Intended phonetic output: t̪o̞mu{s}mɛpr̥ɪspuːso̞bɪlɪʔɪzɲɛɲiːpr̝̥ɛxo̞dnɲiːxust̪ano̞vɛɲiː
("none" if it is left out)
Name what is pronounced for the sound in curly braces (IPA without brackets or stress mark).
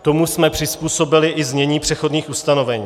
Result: s